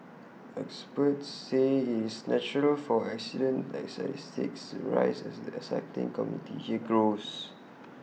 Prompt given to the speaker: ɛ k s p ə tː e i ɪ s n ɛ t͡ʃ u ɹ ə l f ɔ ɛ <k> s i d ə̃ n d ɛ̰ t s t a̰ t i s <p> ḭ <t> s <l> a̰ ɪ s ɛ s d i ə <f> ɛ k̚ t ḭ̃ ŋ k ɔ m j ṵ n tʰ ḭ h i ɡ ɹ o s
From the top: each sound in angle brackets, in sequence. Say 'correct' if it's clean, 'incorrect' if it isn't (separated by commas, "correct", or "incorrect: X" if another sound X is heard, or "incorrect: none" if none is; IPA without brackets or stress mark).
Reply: correct, incorrect: t, incorrect: k, incorrect: ɹ, incorrect: s